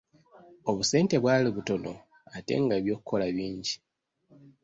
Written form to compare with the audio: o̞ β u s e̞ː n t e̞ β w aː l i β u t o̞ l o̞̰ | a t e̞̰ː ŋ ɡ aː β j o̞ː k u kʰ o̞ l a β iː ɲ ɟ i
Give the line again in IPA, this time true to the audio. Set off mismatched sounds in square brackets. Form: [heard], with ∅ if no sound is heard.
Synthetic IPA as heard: o̞ β u s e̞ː n t e̞ β w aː l i β u t o̞ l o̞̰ | a t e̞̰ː ŋ ɡ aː β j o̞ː k u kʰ o̞ l a β iː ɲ ɟ i